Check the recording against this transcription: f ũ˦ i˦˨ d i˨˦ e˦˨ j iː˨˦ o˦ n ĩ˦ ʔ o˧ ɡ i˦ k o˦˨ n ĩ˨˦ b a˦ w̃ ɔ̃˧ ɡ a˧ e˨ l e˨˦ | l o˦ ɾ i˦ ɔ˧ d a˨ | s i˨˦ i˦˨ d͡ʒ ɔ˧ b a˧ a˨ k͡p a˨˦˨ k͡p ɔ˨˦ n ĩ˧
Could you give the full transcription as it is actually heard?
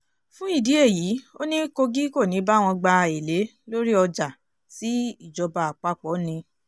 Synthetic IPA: f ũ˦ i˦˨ d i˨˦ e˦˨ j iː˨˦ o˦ n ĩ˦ k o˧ ɡ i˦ k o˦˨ n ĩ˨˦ b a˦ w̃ ɔ̃˧ ɡ͡b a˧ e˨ l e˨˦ | l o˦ ɾ i˦ ɔ˧ d͡ʒ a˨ | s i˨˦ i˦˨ d͡ʒ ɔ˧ b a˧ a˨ k͡p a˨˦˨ k͡p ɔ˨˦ n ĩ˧